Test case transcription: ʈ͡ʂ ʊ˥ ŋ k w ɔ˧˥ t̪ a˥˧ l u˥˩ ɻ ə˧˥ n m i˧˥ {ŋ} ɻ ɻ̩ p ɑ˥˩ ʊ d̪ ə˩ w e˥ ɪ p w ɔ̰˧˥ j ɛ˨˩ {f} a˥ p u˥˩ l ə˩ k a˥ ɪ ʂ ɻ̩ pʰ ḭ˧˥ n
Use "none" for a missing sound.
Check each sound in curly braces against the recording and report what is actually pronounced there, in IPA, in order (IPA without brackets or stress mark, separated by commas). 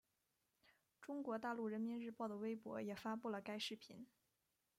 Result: n, f